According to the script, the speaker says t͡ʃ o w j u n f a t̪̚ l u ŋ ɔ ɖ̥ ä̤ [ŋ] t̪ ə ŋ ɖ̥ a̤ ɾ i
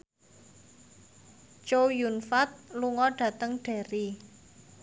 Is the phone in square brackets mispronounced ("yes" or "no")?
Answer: yes